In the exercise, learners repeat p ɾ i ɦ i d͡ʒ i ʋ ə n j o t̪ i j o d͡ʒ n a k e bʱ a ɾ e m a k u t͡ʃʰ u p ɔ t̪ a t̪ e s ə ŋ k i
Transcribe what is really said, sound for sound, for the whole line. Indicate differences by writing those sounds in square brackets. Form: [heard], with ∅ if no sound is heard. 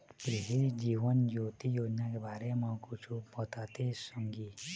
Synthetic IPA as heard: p ɾ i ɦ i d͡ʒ i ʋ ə n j o t̪ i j o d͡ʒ n a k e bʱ a ɾ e m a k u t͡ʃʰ u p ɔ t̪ a t̪ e s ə ŋ [ɡ] i